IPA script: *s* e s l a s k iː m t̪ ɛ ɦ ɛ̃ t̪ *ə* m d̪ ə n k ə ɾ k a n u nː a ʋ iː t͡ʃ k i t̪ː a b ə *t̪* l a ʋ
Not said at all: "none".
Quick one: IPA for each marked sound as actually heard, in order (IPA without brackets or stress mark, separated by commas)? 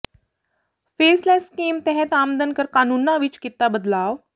f, a, d̪